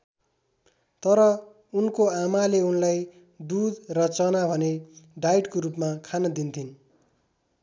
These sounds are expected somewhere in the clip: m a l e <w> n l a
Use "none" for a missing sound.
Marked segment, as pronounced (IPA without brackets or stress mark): u